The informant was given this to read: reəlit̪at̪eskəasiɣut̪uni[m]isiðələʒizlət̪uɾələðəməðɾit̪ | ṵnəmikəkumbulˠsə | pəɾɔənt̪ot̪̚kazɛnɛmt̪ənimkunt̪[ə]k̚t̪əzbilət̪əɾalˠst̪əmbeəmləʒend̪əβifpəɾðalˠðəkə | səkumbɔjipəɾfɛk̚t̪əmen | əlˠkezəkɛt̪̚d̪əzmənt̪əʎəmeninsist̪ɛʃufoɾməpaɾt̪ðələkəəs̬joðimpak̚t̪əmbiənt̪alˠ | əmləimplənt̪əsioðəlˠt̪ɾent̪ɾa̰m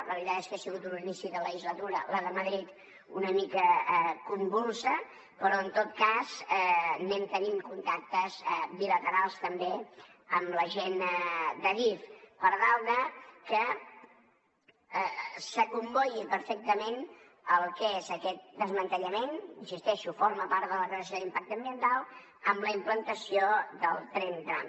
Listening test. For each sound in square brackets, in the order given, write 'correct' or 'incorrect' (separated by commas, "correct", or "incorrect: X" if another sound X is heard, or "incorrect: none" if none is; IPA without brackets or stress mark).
incorrect: n, incorrect: a